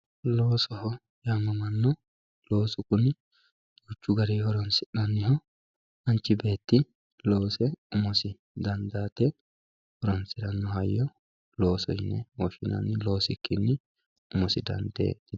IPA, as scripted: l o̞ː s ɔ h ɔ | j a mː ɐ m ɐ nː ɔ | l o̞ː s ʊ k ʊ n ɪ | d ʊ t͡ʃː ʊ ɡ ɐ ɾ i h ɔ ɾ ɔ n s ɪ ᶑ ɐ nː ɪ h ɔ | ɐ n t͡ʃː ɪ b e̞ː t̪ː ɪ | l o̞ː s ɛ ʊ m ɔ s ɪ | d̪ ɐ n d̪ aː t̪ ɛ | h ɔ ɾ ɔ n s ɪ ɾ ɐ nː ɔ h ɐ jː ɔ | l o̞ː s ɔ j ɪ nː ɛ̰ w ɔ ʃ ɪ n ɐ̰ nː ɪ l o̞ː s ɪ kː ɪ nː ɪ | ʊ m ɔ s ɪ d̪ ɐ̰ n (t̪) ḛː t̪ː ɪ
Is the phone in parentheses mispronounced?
yes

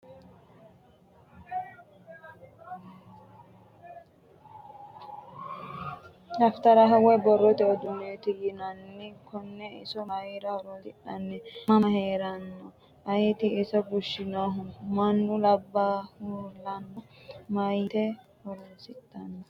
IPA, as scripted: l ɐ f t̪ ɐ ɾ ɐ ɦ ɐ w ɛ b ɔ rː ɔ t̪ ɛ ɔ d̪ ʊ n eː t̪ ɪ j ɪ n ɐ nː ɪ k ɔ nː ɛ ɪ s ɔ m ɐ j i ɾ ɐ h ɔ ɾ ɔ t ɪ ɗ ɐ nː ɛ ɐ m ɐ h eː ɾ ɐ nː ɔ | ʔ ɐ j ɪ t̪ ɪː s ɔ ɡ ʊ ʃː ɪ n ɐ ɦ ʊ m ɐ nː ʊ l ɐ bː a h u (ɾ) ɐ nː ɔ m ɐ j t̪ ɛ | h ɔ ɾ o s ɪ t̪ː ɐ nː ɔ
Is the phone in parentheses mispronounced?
yes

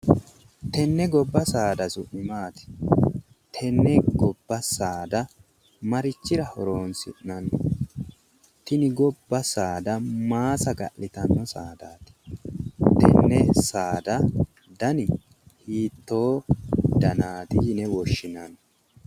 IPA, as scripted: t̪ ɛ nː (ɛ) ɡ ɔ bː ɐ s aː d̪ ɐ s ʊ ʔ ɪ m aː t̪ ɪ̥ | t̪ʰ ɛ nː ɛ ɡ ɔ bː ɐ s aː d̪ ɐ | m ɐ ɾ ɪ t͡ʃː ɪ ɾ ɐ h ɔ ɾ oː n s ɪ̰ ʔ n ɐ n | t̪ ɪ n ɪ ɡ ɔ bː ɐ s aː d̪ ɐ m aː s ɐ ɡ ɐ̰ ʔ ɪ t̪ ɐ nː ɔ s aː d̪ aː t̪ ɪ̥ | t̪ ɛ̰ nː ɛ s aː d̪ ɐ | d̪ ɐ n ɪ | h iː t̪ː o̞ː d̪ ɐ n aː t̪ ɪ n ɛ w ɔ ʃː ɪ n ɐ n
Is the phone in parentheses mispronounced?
no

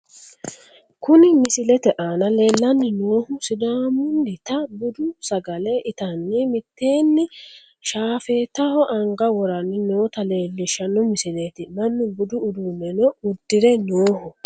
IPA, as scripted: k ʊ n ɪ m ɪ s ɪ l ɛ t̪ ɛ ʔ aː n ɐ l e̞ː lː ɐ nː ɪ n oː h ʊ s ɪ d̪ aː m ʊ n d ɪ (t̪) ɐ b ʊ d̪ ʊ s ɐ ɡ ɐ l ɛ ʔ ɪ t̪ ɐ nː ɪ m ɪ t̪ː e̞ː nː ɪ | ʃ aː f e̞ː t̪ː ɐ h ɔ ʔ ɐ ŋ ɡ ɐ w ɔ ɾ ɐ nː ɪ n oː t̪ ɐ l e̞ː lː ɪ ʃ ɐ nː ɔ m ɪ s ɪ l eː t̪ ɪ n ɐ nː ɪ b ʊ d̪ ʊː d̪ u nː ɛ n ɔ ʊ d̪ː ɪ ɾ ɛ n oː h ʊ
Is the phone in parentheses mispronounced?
no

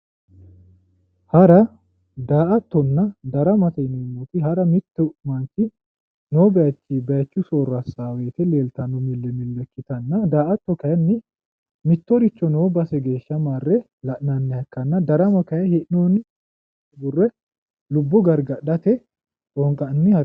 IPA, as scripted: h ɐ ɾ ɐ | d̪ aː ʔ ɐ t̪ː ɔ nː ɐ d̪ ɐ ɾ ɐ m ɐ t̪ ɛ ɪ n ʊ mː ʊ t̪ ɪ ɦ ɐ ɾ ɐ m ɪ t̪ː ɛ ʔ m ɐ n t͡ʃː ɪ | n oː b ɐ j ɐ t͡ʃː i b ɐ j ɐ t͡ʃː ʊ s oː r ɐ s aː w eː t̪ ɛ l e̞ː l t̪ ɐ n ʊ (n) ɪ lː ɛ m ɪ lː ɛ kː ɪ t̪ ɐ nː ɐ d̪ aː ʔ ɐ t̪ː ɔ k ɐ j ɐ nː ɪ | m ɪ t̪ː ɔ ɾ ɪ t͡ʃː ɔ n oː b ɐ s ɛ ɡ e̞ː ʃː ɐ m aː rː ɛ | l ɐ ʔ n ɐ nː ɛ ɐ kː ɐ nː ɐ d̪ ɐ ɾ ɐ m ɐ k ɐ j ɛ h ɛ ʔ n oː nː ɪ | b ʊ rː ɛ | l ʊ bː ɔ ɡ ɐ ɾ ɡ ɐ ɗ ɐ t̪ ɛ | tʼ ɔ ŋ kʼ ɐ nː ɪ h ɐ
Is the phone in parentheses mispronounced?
yes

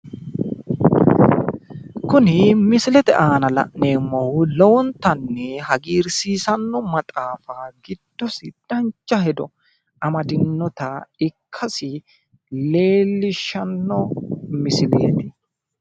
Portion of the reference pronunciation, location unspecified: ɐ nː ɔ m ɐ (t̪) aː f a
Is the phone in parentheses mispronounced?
yes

